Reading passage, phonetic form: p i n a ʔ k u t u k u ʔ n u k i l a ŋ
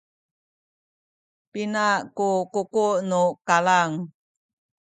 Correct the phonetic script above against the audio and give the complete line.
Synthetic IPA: p i n a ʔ k u k u k u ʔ n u k a l a ŋ